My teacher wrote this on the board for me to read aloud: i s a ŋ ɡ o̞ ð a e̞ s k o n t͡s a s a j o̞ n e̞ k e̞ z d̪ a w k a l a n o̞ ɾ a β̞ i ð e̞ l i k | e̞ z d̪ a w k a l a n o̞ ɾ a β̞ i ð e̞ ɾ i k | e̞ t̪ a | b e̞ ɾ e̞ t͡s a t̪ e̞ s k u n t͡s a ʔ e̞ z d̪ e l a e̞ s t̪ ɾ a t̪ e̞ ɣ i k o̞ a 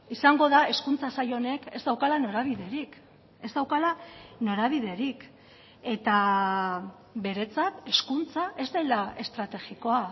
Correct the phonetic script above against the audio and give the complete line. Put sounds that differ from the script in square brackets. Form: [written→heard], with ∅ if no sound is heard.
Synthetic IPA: i s a ŋ ɡ o̞ ð a e̞ s k [o→u] n t͡s a s a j o̞ n e̞ k e̞ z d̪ a w k a l a n o̞ ɾ a β̞ i ð e̞ [l→ɾ] i k | e̞ z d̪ a w k a l a n o̞ ɾ a β̞ i ð e̞ ɾ i k | e̞ t̪ a | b e̞ ɾ e̞ t͡s a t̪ e̞ s k u n t͡s a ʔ e̞ z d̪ e l a e̞ s t̪ ɾ a t̪ e̞ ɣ i k o̞ a